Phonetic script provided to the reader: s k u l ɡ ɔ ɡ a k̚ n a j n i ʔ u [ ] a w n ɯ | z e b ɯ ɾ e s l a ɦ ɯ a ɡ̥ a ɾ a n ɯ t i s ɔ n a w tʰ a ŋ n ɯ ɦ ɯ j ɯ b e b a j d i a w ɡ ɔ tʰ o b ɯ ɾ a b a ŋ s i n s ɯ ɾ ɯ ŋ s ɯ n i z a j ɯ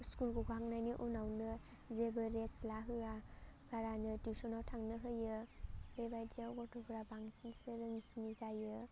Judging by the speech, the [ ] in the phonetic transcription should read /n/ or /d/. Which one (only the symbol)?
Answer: n